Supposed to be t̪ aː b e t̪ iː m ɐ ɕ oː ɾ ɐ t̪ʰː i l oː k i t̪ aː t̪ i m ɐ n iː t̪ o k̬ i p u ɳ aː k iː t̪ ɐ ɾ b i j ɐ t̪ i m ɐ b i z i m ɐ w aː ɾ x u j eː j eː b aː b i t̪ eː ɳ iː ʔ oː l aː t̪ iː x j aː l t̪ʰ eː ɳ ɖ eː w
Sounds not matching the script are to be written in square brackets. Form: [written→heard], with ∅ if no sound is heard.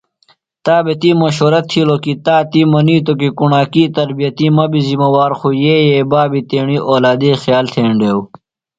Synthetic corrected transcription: t̪ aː b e t̪ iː m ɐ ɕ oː ɾ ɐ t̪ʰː i l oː k i t̪ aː t̪ i m ɐ n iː t̪ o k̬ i [p→k] u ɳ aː k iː t̪ ɐ ɾ b i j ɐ t̪ i m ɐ b i z i m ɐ w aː ɾ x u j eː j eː b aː b i t̪ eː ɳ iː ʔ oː l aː [t̪→d̪] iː x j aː l t̪ʰ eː ɳ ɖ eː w